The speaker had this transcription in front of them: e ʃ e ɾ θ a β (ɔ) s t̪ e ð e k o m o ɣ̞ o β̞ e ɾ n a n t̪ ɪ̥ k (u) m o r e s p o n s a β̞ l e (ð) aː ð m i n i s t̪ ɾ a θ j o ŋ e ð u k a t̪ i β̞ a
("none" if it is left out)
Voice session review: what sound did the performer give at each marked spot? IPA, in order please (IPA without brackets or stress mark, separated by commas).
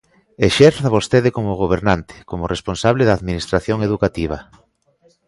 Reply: o, o, ð